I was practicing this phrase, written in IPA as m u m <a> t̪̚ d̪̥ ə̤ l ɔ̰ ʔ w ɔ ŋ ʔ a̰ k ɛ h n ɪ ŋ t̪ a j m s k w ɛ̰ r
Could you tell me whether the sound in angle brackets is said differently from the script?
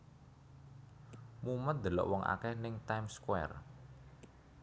yes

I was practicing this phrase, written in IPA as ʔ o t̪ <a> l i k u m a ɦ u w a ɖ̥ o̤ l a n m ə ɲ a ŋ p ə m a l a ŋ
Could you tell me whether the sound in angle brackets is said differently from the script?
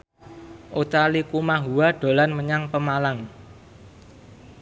no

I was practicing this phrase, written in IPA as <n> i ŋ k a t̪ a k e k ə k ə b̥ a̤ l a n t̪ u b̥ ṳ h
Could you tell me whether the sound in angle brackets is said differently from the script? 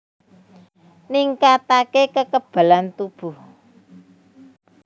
no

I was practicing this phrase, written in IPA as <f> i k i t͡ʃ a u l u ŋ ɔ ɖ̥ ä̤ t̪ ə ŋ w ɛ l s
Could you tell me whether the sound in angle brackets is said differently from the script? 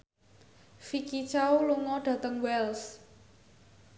no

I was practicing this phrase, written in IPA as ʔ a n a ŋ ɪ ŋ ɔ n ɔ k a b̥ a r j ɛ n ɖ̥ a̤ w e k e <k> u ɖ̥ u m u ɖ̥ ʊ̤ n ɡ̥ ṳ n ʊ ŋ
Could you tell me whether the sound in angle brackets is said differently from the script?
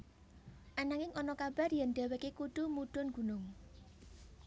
no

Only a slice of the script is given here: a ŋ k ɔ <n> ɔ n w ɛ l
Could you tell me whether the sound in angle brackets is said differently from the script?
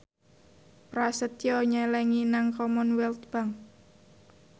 yes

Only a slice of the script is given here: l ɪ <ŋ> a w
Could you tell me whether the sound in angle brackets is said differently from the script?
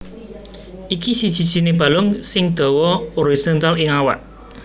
no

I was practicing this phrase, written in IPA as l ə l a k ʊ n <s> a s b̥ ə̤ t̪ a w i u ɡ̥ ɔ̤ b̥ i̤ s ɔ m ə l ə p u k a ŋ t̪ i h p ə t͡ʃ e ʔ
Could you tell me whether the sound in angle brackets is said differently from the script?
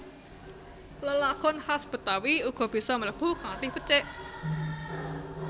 yes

